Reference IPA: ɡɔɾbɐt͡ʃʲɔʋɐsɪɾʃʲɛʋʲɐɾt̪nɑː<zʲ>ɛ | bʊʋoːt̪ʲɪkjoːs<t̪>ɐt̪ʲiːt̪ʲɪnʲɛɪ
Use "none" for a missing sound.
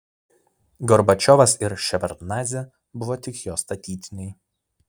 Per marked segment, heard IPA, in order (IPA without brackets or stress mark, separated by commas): zʲ, t̪